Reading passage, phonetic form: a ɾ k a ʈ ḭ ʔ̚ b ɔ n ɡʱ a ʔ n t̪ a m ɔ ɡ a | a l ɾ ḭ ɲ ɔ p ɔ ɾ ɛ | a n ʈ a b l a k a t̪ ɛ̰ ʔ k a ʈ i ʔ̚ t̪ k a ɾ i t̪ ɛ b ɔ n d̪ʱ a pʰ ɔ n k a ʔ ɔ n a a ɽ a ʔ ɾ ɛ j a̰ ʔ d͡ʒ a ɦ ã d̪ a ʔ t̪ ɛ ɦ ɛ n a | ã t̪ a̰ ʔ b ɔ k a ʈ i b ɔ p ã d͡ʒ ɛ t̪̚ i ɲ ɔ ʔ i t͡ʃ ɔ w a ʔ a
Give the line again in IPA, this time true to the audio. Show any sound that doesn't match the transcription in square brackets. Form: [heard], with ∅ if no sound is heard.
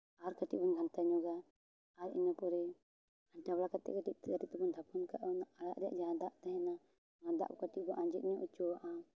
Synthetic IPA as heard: a ɾ k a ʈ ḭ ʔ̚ b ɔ n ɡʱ a [∅] n t̪ a [ɲ] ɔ ɡ a | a [∅] ɾ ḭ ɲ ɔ p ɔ ɾ ɛ | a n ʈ a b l a k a t̪ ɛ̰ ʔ k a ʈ i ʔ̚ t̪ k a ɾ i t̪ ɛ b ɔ n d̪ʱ a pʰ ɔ n k a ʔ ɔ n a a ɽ a ʔ ɾ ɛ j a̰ ʔ d͡ʒ a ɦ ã d̪ a ʔ t̪ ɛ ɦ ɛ n a | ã [d̪] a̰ ʔ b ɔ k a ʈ i b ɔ [ʔ] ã d͡ʒ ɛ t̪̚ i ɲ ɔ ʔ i t͡ʃ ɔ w a ʔ a